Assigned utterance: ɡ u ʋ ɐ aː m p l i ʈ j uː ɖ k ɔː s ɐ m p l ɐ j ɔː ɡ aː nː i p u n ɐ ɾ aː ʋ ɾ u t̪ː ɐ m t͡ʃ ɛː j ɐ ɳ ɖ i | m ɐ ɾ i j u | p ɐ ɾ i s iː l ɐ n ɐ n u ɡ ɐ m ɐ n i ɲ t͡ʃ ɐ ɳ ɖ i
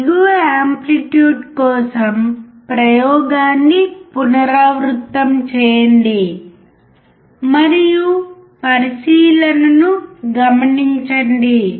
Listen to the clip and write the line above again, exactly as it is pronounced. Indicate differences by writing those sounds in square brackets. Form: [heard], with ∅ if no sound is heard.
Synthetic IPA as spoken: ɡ u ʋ ɐ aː m p l i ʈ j uː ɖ k ɔː s ɐ m p [ɾ] ɐ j ɔː ɡ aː nː i p u n ɐ ɾ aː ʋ ɾ u t̪ː ɐ m t͡ʃ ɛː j ɐ ɳ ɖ i | m ɐ ɾ i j u | p ɐ ɾ i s iː l ɐ n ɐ n u ɡ ɐ m ɐ n i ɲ t͡ʃ ɐ ɳ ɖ i